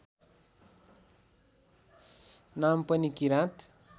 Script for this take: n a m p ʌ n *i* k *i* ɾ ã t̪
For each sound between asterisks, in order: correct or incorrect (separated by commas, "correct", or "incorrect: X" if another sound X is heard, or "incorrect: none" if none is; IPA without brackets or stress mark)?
correct, correct